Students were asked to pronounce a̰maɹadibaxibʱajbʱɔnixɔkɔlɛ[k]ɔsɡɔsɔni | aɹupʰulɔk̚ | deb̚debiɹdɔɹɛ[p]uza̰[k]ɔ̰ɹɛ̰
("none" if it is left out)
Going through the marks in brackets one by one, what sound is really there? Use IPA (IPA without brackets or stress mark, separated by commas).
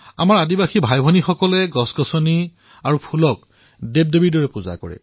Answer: ɡ, p, k